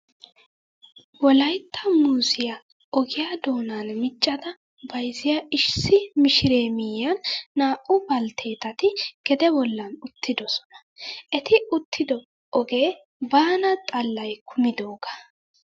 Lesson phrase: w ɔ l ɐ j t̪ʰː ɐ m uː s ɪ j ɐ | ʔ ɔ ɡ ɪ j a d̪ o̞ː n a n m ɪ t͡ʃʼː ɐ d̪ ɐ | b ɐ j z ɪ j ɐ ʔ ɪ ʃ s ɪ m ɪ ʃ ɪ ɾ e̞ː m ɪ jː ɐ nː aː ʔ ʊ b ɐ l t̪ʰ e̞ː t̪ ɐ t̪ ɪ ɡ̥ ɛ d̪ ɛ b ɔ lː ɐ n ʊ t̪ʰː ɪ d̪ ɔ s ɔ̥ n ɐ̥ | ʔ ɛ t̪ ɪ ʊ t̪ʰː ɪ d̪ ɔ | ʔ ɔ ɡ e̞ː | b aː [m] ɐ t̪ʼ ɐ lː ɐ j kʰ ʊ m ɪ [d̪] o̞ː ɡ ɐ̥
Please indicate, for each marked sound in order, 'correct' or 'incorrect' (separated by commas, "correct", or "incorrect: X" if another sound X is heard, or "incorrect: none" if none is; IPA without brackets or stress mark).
incorrect: n, correct